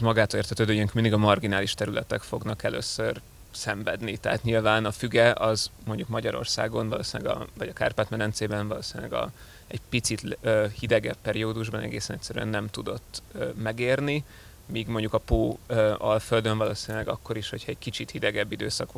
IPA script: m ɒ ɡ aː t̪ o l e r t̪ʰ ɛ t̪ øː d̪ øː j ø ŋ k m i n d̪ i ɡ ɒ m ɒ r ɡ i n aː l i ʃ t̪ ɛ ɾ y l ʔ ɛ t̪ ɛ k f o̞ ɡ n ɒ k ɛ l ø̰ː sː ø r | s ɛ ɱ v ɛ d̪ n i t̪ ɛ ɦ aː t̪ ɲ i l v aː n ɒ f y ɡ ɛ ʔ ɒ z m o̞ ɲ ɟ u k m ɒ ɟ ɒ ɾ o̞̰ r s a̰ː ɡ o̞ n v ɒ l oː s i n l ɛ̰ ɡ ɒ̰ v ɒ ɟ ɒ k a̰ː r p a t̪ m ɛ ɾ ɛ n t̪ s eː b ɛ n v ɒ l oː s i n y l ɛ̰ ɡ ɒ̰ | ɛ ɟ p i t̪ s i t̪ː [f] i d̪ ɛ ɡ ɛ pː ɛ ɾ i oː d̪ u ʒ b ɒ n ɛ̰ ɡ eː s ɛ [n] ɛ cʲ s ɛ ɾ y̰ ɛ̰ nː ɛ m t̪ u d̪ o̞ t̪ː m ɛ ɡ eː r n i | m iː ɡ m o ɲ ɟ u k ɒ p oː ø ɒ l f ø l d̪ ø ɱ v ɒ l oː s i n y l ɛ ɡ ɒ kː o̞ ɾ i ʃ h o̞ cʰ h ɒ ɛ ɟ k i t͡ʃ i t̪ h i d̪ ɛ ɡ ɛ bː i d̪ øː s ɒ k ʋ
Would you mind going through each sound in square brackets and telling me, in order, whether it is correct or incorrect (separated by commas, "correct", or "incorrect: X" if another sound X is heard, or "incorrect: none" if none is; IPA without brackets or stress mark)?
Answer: incorrect: h, correct